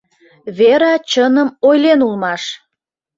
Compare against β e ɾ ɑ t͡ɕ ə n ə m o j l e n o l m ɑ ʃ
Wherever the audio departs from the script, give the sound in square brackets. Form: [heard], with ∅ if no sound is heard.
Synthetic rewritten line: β e ɾ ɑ t͡ɕ ə n ə m o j l e n [u] l m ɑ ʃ